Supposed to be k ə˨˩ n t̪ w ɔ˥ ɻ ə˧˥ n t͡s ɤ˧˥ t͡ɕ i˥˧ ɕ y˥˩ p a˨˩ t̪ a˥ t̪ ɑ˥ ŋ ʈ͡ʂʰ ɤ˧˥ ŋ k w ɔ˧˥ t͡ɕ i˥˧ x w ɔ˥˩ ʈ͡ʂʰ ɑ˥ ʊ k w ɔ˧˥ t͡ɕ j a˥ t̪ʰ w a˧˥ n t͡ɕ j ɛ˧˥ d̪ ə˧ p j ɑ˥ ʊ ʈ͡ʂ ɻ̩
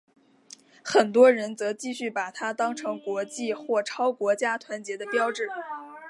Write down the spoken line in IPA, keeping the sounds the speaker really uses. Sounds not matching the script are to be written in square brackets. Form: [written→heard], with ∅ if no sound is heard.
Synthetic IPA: [k→x] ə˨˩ n t̪ w ɔ˥ ɻ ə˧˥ n t͡s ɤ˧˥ t͡ɕ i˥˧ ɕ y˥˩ p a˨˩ [t̪→t̪ʰ] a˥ t̪ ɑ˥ ŋ ʈ͡ʂʰ ɤ˧˥ ŋ k w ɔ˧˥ t͡ɕ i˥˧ x w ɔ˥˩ ʈ͡ʂʰ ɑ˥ ʊ k w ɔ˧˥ t͡ɕ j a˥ t̪ʰ w a˧˥ n t͡ɕ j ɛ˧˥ d̪ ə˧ p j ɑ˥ ʊ ʈ͡ʂ ɻ̩

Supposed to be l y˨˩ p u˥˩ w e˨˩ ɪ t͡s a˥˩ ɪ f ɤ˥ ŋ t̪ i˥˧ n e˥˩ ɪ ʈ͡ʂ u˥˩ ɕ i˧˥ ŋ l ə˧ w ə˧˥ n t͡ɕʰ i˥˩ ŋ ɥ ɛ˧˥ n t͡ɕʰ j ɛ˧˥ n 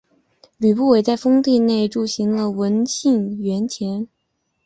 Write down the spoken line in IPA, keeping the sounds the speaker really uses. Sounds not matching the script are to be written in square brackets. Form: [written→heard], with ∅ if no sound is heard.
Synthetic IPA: l y˨˩ p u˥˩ w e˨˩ ɪ t͡s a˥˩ ɪ f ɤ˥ ŋ t̪ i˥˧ n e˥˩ ɪ ʈ͡ʂ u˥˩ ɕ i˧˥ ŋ l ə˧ w ə˧˥ n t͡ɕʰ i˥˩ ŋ ɥ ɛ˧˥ n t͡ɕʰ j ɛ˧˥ n

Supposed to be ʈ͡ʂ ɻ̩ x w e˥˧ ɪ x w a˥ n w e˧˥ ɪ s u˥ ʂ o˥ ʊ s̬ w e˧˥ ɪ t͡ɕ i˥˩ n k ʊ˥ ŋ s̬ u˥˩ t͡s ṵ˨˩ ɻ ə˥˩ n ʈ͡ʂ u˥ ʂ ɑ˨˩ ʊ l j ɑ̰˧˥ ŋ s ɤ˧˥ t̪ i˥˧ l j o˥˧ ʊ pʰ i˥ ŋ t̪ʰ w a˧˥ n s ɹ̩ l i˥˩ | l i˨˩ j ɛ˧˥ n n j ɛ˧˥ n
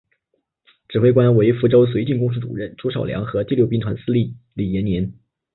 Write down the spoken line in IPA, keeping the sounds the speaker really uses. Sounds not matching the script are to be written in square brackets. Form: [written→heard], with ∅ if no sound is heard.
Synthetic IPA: ʈ͡ʂ ɻ̩ x w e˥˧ ɪ [x→k] w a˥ n w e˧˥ ɪ [s→f] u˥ [ʂ→ʈ͡ʂ] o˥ ʊ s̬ w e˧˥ ɪ t͡ɕ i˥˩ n k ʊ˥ ŋ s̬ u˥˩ t͡s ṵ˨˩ ɻ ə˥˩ n ʈ͡ʂ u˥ ʂ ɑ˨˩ ʊ l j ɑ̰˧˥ ŋ [s→x] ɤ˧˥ t̪ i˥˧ l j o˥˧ ʊ [pʰ→p] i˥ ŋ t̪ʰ w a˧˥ n s ɹ̩ l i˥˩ | l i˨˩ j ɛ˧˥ n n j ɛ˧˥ n

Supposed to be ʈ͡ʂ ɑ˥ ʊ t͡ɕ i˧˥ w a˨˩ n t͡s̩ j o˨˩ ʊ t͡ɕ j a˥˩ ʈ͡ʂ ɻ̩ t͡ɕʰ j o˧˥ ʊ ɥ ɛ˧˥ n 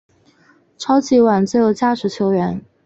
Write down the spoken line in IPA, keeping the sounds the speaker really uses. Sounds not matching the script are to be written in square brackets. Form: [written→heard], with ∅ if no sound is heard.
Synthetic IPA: [ʈ͡ʂ→ʈ͡ʂʰ] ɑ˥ ʊ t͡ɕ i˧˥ w a˨˩ n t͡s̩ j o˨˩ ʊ t͡ɕ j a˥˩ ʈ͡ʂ ɻ̩ t͡ɕʰ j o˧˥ ʊ ɥ ɛ˧˥ n

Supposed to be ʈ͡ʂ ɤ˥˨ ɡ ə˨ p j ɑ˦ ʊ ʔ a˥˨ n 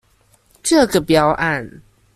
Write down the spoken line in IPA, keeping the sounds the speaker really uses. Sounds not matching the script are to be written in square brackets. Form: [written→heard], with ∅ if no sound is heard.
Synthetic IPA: ʈ͡ʂ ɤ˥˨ ɡ ə˨ p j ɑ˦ ʊ ʔ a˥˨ n

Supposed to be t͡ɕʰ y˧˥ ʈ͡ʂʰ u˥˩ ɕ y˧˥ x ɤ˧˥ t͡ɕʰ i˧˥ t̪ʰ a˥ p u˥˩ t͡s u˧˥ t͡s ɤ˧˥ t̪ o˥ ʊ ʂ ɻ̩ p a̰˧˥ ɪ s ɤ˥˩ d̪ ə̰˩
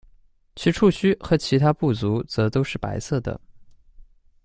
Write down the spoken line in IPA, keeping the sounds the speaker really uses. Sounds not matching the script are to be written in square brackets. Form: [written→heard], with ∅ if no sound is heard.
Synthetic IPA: t͡ɕʰ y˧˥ ʈ͡ʂʰ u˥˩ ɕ [y˧˥→y˥] x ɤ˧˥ t͡ɕʰ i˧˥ t̪ʰ a˥ p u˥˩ t͡s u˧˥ t͡s ɤ˧˥ t̪ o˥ ʊ ʂ ɻ̩ p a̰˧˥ ɪ s ɤ˥˩ d̪ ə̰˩

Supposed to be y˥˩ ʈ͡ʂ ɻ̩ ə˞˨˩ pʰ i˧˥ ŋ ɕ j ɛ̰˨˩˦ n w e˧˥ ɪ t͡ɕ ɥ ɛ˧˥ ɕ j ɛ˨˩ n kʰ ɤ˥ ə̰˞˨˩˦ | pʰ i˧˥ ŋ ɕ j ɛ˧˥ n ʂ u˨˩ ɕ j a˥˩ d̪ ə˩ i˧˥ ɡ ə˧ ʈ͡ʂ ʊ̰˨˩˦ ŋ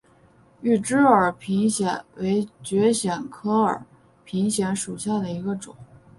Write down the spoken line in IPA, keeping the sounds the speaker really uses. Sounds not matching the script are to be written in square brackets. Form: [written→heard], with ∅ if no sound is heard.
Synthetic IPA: y˥˩ ʈ͡ʂ ɻ̩ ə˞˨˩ pʰ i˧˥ ŋ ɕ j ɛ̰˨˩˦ n w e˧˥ ɪ t͡ɕ ɥ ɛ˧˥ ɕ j ɛ˨˩ n kʰ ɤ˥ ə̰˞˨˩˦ | pʰ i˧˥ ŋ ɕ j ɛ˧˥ n ʂ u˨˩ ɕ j a˥˩ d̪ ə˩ i˧˥ ɡ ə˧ ʈ͡ʂ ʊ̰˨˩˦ ŋ

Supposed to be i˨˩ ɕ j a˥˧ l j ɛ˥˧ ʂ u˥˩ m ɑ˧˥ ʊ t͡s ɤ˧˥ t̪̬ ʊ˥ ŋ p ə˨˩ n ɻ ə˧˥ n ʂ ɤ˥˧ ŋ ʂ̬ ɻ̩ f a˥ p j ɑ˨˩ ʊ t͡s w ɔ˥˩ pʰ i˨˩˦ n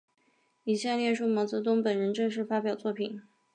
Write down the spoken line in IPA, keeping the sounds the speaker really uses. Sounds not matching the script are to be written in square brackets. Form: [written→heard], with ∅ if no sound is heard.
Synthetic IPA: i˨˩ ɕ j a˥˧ l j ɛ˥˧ ʂ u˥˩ m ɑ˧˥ ʊ t͡s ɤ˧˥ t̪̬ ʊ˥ ŋ p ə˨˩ n ɻ ə˧˥ n [ʂ→ʈ͡ʂ] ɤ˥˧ ŋ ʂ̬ ɻ̩ f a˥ p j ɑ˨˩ ʊ t͡s w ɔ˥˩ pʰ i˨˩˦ n

